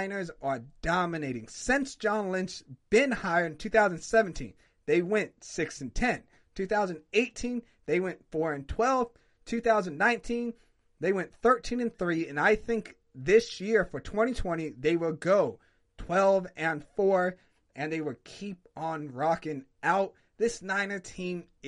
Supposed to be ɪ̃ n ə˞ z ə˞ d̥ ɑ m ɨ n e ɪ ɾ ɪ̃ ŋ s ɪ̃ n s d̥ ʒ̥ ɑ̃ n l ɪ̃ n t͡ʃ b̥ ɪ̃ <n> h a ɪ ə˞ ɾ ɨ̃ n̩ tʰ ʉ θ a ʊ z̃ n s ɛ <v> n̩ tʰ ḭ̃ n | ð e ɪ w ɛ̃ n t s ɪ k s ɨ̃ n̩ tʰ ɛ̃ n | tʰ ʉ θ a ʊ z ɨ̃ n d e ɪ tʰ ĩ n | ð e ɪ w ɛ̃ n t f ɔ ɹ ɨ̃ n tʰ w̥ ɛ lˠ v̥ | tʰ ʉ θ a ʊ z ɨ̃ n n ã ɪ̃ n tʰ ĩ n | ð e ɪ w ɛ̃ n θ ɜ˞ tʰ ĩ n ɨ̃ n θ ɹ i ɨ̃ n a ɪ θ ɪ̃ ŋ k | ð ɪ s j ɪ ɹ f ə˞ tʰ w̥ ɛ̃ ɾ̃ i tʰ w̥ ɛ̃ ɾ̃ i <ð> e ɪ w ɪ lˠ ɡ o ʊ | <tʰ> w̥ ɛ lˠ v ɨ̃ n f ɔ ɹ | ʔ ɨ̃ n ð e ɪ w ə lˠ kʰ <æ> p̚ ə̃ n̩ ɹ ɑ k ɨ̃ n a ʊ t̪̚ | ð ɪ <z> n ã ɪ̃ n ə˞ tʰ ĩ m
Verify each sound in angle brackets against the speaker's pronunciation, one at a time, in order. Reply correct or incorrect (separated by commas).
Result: correct, correct, correct, correct, incorrect, incorrect